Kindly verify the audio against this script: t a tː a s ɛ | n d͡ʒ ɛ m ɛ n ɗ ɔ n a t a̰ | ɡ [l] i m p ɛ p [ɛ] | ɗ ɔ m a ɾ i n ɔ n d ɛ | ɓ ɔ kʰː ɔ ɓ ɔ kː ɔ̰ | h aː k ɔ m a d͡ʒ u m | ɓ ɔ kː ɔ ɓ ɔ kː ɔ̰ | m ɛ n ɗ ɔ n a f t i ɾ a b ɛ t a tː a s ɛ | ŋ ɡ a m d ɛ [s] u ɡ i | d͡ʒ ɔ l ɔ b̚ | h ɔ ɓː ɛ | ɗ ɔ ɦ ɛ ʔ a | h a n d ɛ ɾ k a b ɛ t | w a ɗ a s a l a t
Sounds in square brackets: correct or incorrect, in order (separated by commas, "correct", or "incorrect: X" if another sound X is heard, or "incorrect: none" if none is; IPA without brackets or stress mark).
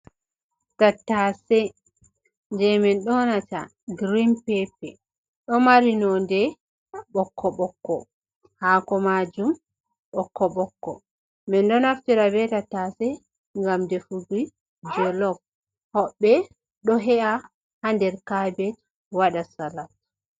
incorrect: ɾ, correct, incorrect: f